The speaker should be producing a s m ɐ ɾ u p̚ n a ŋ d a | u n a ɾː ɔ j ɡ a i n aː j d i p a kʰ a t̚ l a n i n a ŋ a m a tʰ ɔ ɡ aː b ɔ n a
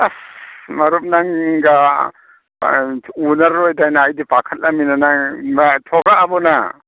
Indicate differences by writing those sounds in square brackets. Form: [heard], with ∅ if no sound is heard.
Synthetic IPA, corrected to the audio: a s m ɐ ɾ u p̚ n a ŋ [ɡ] a | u n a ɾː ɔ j [d] a [j] n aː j d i p a kʰ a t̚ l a [m] i n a [n] a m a tʰ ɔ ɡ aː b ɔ n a

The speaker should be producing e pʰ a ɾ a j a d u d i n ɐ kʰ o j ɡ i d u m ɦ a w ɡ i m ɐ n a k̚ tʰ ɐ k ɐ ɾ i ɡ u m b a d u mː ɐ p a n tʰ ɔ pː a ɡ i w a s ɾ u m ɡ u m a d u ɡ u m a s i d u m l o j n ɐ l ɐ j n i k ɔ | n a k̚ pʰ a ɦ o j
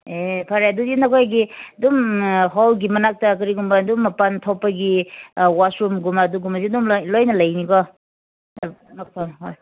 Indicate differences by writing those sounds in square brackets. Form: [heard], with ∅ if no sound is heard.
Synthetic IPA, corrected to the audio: e pʰ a ɾ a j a d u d i n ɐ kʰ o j ɡ i d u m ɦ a w ɡ i m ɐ n a k̚ [t] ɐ k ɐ ɾ i ɡ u m b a d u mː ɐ p a n tʰ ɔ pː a ɡ i w a s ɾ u m ɡ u m a d u ɡ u m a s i d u m l o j n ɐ l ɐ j n i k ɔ | n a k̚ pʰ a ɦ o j

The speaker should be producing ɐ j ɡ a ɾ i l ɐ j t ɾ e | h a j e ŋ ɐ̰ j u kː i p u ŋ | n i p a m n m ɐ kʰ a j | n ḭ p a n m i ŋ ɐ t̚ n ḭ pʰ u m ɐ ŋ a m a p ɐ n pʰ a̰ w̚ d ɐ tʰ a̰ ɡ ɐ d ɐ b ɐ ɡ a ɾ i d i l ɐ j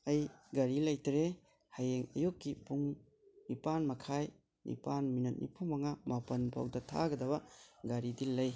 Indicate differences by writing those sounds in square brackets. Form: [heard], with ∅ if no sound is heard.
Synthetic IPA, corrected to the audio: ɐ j ɡ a ɾ i l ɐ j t ɾ e | h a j e ŋ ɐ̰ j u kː i p u ŋ | n i p a [∅] n m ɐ kʰ a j | n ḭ p a n m i [n] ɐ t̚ n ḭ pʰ u m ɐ ŋ a m a p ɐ n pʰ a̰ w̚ d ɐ tʰ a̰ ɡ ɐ d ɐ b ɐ ɡ a ɾ i d i l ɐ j

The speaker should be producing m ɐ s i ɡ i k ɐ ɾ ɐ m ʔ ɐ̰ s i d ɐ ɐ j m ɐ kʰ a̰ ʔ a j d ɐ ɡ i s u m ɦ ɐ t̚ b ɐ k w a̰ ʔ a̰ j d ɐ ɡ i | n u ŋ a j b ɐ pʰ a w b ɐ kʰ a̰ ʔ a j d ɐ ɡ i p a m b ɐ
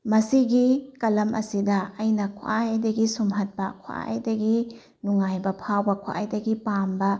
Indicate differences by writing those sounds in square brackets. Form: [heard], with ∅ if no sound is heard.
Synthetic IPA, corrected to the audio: m ɐ s i ɡ i k ɐ [l] ɐ m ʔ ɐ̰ s i d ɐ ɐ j [n] ɐ kʰ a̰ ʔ a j d ɐ ɡ i s u m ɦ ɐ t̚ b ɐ [kʰ] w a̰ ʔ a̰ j d ɐ ɡ i | n u ŋ a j b ɐ pʰ a w b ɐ kʰ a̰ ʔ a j d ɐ ɡ i p a m b ɐ

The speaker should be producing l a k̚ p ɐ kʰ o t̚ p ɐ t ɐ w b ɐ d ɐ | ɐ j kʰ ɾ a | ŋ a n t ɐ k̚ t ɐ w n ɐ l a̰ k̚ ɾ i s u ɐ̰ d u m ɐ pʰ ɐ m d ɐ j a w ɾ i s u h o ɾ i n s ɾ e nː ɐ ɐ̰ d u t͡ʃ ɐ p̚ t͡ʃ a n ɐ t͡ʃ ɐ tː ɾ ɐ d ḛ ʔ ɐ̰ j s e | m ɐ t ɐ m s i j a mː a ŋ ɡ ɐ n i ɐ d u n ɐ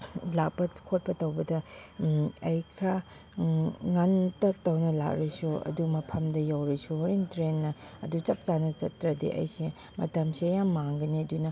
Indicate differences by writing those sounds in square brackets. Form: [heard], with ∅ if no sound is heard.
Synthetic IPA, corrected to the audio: l a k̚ p ɐ kʰ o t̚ p ɐ t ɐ w b ɐ d ɐ | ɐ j kʰ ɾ a | ŋ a n t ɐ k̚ t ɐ w n ɐ l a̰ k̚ ɾ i s u ɐ̰ d u m ɐ pʰ ɐ m d ɐ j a w ɾ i s u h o ɾ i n [t] ɾ e nː ɐ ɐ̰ d u t͡ʃ ɐ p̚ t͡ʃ a n ɐ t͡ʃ ɐ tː ɾ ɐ d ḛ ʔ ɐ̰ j s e | m ɐ t ɐ m s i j a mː a ŋ ɡ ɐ n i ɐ d u n ɐ

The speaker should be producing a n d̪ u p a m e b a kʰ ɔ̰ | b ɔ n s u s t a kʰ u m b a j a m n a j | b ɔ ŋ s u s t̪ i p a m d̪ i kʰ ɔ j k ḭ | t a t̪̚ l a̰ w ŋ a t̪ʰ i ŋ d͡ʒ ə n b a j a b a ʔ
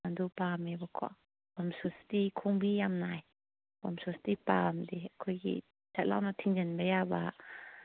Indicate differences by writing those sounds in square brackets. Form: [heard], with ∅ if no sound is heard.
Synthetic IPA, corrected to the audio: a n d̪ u p a m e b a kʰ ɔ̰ | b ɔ [m] s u s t [i] kʰ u [ŋ] b [i] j a m n a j | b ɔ [m] s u s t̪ i p a m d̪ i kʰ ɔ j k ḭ | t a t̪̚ l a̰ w [n] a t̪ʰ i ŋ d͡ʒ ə n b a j a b a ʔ

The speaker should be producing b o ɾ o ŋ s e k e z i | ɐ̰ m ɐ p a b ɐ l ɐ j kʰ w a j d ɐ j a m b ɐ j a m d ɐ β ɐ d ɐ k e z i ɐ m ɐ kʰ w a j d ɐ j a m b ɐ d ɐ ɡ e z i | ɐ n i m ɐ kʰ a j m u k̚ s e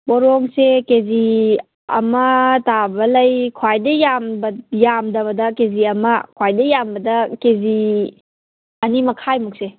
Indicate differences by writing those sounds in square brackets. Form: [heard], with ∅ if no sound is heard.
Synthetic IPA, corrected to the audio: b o ɾ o ŋ s e k e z i | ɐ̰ m ɐ [t] a b ɐ l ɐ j kʰ w a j d ɐ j a m b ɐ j a m d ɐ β ɐ d ɐ k e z i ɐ m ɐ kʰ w a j d ɐ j a m b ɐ d ɐ [k] e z i | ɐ n i m ɐ kʰ a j m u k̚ s e

